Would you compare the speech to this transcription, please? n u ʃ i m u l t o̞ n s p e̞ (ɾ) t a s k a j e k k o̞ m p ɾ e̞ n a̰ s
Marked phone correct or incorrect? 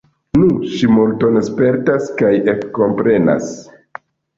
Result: correct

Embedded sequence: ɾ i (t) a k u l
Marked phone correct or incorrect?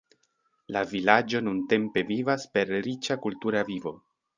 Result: incorrect: t͡ʃ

